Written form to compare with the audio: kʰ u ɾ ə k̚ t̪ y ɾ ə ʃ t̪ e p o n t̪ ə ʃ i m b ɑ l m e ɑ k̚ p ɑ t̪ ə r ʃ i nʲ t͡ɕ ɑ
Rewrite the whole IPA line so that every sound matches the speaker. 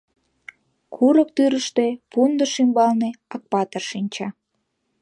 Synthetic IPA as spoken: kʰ u ɾ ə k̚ t̪ y ɾ ə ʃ t̪ e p u n d̪ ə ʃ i m b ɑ l n e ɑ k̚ p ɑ t̪ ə r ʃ i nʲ t͡ɕ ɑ